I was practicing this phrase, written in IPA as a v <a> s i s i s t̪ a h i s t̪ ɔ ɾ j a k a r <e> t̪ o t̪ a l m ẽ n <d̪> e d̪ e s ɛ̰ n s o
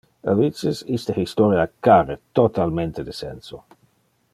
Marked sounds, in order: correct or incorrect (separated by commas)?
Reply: incorrect, correct, incorrect